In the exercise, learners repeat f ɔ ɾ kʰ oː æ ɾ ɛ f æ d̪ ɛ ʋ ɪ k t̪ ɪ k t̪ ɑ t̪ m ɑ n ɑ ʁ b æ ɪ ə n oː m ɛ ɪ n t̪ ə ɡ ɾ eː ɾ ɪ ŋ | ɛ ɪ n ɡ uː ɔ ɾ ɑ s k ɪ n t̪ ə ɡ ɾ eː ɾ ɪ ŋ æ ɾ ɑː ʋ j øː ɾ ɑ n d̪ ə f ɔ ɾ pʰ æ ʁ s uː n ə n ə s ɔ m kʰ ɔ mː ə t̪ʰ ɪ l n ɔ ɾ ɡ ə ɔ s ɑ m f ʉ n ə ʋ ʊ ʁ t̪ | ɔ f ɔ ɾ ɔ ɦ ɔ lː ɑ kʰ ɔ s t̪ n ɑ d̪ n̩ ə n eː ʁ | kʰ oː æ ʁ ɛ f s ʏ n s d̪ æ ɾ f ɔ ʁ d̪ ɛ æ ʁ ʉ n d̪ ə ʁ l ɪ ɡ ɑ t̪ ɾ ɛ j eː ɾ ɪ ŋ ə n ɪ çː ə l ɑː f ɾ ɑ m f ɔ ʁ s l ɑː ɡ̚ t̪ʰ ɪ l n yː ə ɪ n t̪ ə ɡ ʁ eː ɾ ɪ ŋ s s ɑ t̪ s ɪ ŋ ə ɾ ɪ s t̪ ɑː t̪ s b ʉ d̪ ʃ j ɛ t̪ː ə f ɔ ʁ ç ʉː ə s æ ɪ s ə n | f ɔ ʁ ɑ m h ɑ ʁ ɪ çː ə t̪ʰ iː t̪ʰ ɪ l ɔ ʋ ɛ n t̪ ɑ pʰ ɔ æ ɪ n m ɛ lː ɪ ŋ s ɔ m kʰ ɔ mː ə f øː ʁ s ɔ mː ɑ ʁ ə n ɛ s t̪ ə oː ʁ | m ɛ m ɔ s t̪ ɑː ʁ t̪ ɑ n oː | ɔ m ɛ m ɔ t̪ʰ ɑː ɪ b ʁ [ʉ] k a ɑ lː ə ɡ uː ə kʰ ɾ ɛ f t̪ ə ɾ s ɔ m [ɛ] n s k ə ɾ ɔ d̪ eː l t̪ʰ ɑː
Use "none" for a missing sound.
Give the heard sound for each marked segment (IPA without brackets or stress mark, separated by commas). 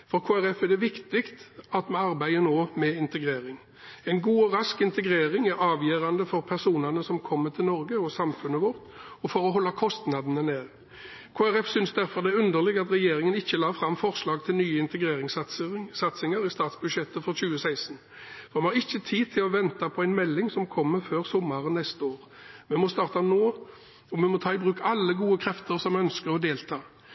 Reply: ʉː, œ